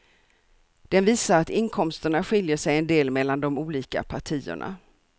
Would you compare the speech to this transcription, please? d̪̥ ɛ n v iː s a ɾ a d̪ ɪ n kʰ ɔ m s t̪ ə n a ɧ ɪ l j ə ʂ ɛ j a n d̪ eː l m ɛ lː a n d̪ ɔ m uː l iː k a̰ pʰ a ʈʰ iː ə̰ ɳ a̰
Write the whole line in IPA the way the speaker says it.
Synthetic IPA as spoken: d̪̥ ɛ n v iː s a ɾ a t̪ ɪ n kʰ ɔ m s t̪ ə ɳ a ɧ ɪ l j ə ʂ ɛ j ɛ n d̪ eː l m ɛ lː a n d̪ ɔ m uː l iː k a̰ pʰ a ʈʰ iː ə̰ ɳ a̰